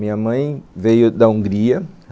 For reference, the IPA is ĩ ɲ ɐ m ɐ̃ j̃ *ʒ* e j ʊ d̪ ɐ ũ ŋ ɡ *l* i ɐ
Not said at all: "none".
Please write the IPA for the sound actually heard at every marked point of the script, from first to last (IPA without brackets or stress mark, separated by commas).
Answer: v, ɾ